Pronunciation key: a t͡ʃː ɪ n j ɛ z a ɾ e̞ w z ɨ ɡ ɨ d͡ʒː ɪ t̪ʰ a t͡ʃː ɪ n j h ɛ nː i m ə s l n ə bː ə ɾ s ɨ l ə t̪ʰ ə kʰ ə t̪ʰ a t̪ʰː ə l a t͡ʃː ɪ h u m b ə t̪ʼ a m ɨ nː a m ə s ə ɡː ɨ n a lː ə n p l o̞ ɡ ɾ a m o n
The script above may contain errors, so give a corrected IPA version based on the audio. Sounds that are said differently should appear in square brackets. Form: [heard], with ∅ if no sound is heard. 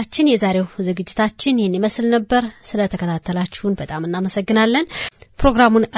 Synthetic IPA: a t͡ʃː ɪ n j ɛ z a ɾ e̞ w z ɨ ɡ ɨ d͡ʒː ɪ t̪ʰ a t͡ʃː ɪ n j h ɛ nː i m ə s l n ə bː ə ɾ s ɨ l ə t̪ʰ ə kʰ ə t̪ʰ a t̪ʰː ə l a t͡ʃː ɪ h u [n] b ə t̪ʼ a m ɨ nː a m ə s ə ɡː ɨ n a lː ə n p [ɾ] o̞ ɡ ɾ a m [u] n